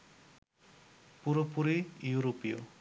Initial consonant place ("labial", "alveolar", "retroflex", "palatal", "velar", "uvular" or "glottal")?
labial